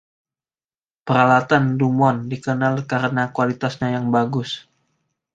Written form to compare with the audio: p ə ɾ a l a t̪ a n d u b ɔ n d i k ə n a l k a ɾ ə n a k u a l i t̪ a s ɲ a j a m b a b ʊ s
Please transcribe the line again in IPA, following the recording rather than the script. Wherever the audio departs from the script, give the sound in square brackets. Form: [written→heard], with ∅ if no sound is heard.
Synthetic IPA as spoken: p ə ɾ a l a t̪ a n d u [b→m] ɔ n d i k ə n a l k a ɾ ə n a k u a l i t̪ a s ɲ a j a [m→ŋ] b a [b→ɡ] ʊ s